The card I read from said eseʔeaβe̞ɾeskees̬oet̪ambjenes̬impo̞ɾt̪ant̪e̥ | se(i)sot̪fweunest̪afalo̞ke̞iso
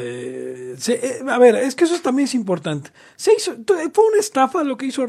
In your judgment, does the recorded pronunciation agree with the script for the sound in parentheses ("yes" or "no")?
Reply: yes